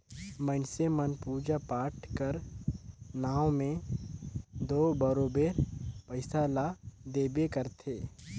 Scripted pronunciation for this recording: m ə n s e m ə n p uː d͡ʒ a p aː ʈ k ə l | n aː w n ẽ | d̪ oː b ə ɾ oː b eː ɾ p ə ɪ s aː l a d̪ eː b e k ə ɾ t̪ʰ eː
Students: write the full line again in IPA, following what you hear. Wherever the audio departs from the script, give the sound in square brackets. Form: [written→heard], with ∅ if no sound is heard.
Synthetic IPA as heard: m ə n s e m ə n p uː d͡ʒ a p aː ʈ k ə [l→ɾ] | n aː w [n→m] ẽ | d̪ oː b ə ɾ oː b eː ɾ p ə ɪ s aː l a d̪ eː b e k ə ɾ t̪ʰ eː